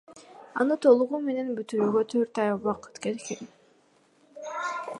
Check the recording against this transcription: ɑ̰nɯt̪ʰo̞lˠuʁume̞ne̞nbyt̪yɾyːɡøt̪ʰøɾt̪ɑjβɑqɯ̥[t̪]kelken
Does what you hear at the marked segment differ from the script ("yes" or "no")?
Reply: no